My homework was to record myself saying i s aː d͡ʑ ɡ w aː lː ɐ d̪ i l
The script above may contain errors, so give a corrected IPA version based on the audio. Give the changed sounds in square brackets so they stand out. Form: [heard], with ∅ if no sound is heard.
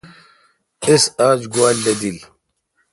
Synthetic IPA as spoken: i s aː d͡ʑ ɡ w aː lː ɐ d̪ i l